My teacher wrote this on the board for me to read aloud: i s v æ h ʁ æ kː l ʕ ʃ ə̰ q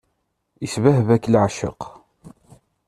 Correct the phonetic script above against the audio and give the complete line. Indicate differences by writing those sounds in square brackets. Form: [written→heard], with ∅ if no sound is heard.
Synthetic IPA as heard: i s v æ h [ʁ→v] æ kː l ʕ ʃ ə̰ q